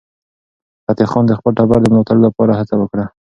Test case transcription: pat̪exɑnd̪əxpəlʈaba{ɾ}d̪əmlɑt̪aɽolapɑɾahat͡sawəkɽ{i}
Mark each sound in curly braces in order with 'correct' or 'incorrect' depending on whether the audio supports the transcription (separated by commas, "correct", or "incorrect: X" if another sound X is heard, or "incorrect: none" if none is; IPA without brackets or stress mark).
correct, incorrect: a